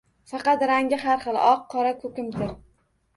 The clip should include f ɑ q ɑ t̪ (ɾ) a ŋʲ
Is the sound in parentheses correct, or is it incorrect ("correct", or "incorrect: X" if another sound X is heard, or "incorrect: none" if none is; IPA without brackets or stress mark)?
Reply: correct